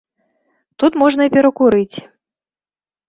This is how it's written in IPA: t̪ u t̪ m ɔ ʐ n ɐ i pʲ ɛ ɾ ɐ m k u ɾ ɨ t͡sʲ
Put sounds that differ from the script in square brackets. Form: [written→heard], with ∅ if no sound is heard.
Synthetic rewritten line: t̪ u t̪ m ɔ ʐ n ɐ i pʲ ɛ ɾ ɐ [m→∅] k u ɾ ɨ t͡sʲ